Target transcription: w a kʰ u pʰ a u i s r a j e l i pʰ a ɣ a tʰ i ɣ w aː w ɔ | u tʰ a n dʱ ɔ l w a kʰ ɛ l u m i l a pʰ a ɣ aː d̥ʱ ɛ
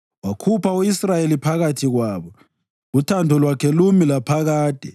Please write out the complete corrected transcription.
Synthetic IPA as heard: w a kʰ u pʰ a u i s r a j e l i pʰ a ɣ a tʰ i ɣ w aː β ɔ | u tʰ a n dʱ ɔ l w a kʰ ɛ l u m i l a pʰ a ɣ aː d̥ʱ ɛ